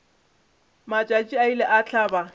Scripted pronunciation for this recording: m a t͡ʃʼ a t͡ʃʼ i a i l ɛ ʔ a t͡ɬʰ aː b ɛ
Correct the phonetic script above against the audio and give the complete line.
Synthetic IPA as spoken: m a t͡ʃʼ a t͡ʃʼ i a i l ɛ ʔ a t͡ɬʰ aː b a